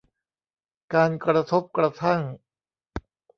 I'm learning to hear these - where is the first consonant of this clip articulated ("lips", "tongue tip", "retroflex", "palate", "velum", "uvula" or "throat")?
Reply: velum